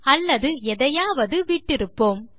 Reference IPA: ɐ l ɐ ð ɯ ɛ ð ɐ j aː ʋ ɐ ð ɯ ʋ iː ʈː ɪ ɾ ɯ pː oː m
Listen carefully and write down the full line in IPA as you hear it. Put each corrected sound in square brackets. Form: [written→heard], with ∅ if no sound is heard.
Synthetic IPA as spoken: ɐ [l→lː] ɐ ð ɯ ɛ ð ɐ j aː ʋ ɐ ð ɯ ʋ iː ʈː ɪ ɾ ɯ pː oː m

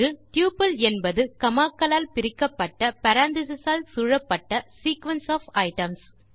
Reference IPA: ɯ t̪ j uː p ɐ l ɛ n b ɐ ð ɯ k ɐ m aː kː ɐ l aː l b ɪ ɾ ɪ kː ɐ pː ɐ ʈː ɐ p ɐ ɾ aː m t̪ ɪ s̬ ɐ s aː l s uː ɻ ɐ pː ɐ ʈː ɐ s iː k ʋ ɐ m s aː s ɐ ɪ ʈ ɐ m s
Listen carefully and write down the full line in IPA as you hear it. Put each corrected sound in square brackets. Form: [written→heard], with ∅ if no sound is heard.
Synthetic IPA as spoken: ɯ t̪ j uː p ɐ l ɛ n b ɐ ð ɯ k ɐ m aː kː ɐ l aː l [b→p] ɪ ɾ ɪ kː ɐ pː ɐ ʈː ɐ p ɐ ɾ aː [m→n] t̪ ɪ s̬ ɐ s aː l s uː ɻ ɐ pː ɐ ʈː ɐ s iː k ʋ ɐ [m→n] s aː [s→f] ɐ ɪ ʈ ɐ m s

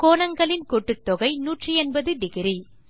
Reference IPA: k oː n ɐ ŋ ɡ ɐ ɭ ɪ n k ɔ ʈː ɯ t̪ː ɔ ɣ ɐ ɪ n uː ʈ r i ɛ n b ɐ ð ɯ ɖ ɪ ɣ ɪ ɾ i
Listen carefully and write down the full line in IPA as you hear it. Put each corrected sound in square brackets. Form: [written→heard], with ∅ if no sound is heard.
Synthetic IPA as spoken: k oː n ɐ ŋ ɡ ɐ ɭ ɪ n k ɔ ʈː ɯ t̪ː ɔ ɣ ɐ ɪ n uː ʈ r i ɛ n b ɐ ð ɯ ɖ ɪ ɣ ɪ ɾ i

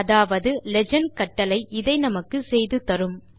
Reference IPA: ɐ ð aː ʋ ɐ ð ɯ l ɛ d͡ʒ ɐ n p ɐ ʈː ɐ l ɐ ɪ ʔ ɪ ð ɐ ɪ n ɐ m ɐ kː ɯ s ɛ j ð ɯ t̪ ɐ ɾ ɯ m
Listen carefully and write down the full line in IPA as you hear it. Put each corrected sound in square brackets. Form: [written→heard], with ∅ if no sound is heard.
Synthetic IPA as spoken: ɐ ð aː ʋ ɐ ð ɯ l ɛ d͡ʒ ɐ n [p→k] ɐ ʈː ɐ l ɐ ɪ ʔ ɪ ð ɐ ɪ n ɐ m ɐ kː ɯ s ɛ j ð ɯ t̪ ɐ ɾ ɯ m

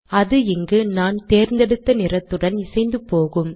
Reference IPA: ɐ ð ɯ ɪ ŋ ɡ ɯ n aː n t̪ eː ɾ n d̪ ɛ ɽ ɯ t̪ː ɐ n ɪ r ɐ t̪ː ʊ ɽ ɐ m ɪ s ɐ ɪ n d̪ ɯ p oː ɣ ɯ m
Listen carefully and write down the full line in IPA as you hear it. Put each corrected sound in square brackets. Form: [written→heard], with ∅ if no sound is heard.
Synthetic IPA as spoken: ɐ ð ɯ ɪ ŋ ɡ ɯ n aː n t̪ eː ɾ n d̪ ɛ ɽ ɯ t̪ː ɐ n ɪ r ɐ t̪ː [ʊ→ɯ] ɽ ɐ [m→n] ɪ s ɐ ɪ n d̪ ɯ p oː ɣ ɯ m

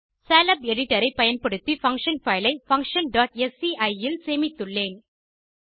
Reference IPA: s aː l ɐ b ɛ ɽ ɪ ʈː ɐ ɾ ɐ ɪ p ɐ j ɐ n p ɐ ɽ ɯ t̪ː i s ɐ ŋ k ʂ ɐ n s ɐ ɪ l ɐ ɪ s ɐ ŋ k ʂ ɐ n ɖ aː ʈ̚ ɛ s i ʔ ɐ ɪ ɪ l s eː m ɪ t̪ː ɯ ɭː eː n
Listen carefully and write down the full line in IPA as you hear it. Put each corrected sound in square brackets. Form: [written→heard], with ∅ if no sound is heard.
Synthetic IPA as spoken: s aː l ɐ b ɛ ɽ ɪ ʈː ɐ ɾ ɐ ɪ p ɐ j ɐ n p ɐ ɽ ɯ t̪ː i [s→f] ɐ ŋ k ʂ ɐ n [s→f] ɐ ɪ l ɐ ɪ [s→f] ɐ ŋ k ʂ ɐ n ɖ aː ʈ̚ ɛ s i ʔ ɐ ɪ ɪ l s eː m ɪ t̪ː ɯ ɭː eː n

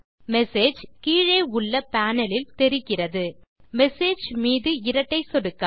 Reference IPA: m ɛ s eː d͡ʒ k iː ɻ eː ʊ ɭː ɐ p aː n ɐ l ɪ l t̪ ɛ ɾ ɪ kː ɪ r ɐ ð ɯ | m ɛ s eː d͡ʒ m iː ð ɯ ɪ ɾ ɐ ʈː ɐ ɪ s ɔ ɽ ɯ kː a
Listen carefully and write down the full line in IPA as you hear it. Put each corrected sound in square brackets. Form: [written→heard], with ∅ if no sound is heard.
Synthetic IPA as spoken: m ɛ s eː d͡ʒ k iː ɻ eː ʊ ɭː ɐ p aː n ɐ l ɪ l t̪ ɛ ɾ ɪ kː ɪ r ɐ ð ɯ | m ɛ s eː d͡ʒ m iː ð ɯ ɪ ɾ ɐ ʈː ɐ ɪ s ɔ ɽ ɯ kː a

